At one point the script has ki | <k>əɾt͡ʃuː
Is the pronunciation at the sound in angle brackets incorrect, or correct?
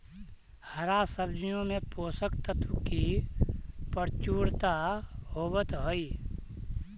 incorrect